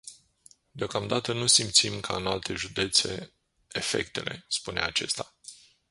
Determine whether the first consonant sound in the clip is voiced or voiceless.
voiced